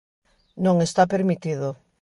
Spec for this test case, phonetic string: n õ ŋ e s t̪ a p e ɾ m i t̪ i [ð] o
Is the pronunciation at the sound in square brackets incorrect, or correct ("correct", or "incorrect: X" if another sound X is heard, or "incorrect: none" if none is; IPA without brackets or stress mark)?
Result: correct